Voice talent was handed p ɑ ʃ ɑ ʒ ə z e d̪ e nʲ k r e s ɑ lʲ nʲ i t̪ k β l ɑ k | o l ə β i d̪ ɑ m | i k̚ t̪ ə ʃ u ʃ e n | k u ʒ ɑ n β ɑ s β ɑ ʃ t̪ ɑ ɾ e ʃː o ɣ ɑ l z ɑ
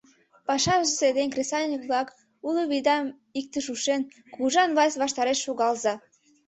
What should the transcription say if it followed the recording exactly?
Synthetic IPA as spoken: p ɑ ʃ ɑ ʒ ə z e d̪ e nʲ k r e s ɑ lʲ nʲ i k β l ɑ k | u l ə β i d̪ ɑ m | i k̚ t̪ ə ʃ u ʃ e n | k u ʒ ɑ n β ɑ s β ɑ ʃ t̪ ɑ ɾ e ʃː o ɣ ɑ l z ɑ